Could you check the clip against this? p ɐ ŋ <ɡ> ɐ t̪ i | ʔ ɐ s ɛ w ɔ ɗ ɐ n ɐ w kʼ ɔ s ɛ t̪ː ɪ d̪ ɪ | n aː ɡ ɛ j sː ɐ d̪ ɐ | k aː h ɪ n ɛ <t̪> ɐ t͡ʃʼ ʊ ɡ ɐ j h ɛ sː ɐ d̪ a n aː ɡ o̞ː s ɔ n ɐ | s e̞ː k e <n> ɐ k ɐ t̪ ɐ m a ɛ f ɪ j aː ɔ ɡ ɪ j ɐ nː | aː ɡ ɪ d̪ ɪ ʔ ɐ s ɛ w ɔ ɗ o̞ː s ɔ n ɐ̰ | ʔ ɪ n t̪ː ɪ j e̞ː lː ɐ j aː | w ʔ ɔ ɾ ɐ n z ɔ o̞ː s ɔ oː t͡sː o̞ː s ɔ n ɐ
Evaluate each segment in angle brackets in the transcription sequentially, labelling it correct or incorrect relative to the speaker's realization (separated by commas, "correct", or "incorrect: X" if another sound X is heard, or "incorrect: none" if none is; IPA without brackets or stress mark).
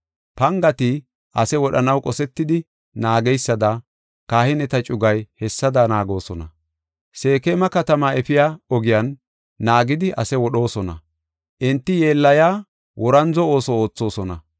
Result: correct, correct, incorrect: m